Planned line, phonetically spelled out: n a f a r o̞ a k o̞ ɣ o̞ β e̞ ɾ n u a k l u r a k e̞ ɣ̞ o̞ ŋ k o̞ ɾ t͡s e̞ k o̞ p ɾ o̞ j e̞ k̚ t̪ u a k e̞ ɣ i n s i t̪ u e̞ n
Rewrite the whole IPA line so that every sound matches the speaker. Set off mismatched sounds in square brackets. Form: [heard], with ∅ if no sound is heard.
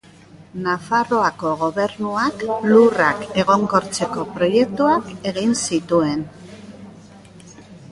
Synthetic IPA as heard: n a f a r o̞ a k o̞ ɣ o̞ β e̞ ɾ n u a k l u r a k e̞ ɣ̞ o̞ ŋ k o̞ ɾ t͡s e̞ k o̞ p ɾ o̞ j e̞ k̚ t̪ u a k e̞ ɣ i n s i t̪ u e̞ n